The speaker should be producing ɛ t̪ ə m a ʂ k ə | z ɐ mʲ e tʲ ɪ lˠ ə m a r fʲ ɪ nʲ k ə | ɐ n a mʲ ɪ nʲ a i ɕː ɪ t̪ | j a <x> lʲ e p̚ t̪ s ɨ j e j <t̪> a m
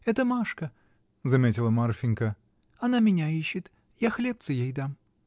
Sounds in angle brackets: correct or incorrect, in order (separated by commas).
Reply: correct, incorrect